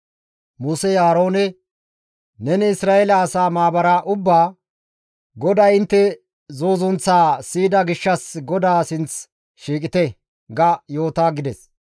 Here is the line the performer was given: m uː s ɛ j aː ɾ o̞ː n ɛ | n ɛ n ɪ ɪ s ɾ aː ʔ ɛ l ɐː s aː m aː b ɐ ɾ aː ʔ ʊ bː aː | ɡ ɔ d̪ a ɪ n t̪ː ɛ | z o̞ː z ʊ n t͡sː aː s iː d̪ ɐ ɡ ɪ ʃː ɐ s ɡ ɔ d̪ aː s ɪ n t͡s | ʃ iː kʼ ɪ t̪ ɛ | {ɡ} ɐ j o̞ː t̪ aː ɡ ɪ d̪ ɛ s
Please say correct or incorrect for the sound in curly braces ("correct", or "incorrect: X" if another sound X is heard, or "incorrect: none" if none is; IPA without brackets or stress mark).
correct